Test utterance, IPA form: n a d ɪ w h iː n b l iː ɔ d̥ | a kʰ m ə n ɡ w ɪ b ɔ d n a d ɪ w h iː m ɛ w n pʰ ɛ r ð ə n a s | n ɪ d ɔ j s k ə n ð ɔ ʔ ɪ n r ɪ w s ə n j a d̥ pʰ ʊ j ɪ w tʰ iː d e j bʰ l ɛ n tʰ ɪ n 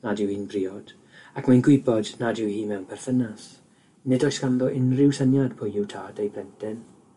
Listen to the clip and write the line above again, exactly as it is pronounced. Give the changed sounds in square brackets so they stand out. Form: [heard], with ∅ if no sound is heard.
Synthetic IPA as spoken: n a d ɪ w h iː n b [r] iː ɔ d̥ | a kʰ m [a] n ɡ w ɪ b ɔ d n a d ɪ w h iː m ɛ w n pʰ ɛ r [θ] ə n a s | n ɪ d ɔ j s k [a] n ð ɔ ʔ ɪ n r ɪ w s ə n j a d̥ pʰ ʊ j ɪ w tʰ [aː] d e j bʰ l ɛ n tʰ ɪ n